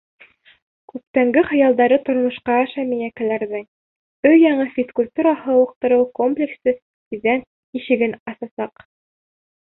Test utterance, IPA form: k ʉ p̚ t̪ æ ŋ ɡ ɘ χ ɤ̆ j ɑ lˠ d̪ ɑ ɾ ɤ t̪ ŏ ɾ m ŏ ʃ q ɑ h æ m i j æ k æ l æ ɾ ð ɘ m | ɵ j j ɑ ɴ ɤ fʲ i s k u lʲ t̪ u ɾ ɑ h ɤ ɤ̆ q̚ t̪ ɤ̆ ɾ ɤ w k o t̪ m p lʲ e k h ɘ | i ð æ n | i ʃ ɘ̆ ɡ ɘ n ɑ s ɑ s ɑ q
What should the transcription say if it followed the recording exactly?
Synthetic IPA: k ʉ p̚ t̪ æ ŋ ɡ ɘ χ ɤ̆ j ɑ lˠ d̪ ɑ ɾ ɤ t̪ ŏ ɾ m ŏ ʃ q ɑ ʃ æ m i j æ k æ l æ ɾ ð ɘ ŋ | ɵ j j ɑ ɴ ɤ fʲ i s k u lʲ t̪ u ɾ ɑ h ɤ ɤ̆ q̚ t̪ ɤ̆ ɾ ɤ w k o m p lʲ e k s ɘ | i ð æ n | i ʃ ɘ̆ ɡ ɘ n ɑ s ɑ s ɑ q